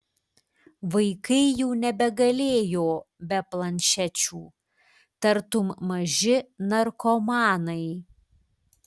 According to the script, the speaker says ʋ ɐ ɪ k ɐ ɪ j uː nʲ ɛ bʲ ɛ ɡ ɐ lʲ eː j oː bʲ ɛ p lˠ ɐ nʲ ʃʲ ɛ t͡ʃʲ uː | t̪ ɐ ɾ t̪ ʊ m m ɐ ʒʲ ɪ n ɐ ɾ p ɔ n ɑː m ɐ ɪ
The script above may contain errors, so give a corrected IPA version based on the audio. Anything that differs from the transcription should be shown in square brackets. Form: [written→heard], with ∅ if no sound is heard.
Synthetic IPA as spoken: ʋ ɐ ɪ k ɐ ɪ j uː nʲ ɛ bʲ ɛ ɡ ɐ lʲ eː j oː bʲ ɛ p lˠ ɐ nʲ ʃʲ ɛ t͡ʃʲ uː | t̪ ɐ ɾ t̪ ʊ m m ɐ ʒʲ ɪ n ɐ ɾ [p→k] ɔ [n→m] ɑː [m→n] ɐ ɪ